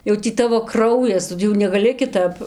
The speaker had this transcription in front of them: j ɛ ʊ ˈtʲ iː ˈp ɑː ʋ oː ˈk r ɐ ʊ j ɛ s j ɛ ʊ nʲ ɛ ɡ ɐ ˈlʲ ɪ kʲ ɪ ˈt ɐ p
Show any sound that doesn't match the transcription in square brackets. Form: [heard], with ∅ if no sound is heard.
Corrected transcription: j ɛ ʊ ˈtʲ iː [ˈt] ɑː ʋ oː ˈk r ɐ ʊ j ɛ s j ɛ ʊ nʲ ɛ ɡ ɐ ˈlʲ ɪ kʲ ɪ ˈt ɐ p

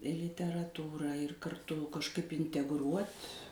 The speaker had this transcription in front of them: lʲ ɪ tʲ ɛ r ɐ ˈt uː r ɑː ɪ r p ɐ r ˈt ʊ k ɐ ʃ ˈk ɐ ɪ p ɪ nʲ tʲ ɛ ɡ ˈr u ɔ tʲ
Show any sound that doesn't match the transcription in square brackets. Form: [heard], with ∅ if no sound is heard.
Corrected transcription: lʲ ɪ tʲ ɛ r ɐ ˈt uː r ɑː ɪ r [k] ɐ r ˈt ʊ k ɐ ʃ ˈk ɐ ɪ p ɪ nʲ tʲ ɛ ɡ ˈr u ɔ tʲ

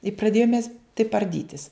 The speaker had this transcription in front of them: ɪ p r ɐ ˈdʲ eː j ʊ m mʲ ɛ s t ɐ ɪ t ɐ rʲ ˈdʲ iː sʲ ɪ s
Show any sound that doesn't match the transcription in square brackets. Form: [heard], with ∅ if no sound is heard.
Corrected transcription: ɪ p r ɐ ˈdʲ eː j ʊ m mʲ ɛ s t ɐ ɪ [p] ɐ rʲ ˈdʲ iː [tʲ] ɪ s

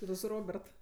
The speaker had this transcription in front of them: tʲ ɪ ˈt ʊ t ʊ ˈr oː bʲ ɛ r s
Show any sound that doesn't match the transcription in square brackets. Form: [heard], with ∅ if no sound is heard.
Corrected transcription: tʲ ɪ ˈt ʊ [s] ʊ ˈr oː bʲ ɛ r [t]

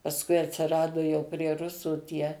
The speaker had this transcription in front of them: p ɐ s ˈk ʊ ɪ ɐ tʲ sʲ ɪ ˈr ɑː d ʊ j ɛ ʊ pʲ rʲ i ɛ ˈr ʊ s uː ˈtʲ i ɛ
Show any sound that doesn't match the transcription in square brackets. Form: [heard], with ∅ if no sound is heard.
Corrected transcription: p ɐ s ˈk ʊ ɪ ɐ tʲ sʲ ɪ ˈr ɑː d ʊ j ɛ ʊ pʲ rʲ i ɛ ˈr ʊ s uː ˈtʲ i ɛ

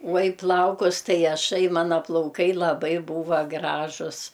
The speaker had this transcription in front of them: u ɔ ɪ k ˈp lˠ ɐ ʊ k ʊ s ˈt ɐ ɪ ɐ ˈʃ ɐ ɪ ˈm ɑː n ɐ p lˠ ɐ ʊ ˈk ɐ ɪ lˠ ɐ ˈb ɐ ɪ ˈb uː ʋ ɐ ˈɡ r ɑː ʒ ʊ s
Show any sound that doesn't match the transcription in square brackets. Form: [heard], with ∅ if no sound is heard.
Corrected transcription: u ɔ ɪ [∅] ˈp lˠ ɐ ʊ k ʊ s ˈt ɐ ɪ ɐ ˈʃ ɐ ɪ ˈm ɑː n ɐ p lˠ ɐ ʊ ˈk ɐ ɪ lˠ ɐ ˈb ɐ ɪ ˈb uː ʋ ɐ ˈɡ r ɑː ʒ ʊ s

